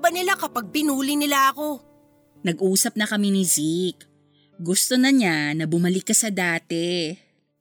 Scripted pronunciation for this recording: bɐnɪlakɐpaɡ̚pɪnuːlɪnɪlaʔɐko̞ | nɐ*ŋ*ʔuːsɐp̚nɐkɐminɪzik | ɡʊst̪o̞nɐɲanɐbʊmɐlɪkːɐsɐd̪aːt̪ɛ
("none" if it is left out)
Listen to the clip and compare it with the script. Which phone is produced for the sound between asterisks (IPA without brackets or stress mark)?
ɡ